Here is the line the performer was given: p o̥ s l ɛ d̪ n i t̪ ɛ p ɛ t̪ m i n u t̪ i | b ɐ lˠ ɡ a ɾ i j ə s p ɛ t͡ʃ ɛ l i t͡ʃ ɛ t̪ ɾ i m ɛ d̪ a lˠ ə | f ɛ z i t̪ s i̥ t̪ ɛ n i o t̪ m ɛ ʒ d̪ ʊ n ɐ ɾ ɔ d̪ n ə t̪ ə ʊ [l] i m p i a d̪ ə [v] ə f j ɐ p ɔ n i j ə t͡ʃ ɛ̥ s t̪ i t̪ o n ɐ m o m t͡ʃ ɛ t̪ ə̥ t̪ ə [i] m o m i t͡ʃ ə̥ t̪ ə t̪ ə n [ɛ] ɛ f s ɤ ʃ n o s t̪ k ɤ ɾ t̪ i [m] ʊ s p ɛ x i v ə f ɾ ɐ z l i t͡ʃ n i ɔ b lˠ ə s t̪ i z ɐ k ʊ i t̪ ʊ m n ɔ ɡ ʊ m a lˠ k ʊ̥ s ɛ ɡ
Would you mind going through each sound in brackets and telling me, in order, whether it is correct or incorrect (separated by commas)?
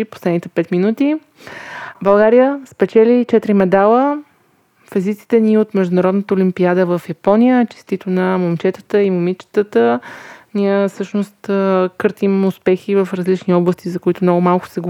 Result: correct, correct, correct, incorrect, correct